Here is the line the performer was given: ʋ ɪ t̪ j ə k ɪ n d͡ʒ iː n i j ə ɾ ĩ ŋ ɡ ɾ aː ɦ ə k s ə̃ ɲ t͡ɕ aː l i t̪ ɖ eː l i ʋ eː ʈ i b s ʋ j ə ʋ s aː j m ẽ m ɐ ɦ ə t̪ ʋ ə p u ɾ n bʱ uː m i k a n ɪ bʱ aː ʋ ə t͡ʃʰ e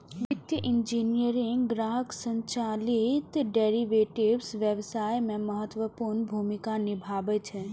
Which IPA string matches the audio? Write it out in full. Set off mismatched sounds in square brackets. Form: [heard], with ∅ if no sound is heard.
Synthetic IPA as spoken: ʋ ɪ t̪ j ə [ʔ] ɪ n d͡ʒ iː n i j ə ɾ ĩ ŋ ɡ ɾ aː ɦ ə k s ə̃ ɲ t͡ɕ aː l i t̪ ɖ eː [ɾ] i ʋ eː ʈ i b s ʋ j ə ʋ s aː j m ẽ m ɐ ɦ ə t̪ ʋ ə p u ɾ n bʱ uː m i k a n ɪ bʱ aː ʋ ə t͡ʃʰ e